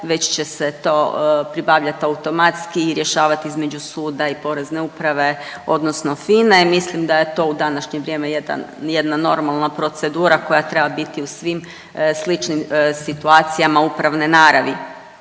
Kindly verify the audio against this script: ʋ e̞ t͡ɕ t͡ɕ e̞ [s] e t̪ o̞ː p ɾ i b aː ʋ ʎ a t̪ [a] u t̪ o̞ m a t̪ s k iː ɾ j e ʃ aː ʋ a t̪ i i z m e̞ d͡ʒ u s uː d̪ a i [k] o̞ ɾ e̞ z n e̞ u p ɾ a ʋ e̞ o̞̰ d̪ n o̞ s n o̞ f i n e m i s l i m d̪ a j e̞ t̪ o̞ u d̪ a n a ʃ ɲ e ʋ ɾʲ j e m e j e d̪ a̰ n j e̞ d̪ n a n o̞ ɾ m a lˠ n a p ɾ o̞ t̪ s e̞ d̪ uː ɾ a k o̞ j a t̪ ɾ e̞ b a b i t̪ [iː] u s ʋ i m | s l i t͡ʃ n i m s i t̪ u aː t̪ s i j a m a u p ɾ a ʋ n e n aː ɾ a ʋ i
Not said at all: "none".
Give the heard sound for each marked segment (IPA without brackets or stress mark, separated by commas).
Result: s, a, p, i